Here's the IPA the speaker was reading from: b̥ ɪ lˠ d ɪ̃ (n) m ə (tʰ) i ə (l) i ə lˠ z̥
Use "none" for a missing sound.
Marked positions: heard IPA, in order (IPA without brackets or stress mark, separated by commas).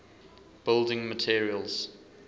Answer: ŋ, tʰ, ɹ